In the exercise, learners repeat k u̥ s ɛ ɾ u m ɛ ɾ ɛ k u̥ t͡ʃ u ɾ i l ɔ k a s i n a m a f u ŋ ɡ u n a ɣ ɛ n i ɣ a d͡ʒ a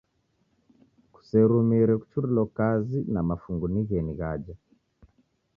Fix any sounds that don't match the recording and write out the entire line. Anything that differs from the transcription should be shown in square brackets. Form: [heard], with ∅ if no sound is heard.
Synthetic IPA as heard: k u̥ s ɛ ɾ u m [i] ɾ ɛ k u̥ t͡ʃ u ɾ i l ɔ k a [z] i n a m a f u ŋ ɡ u n [i] ɣ ɛ n i ɣ a d͡ʒ a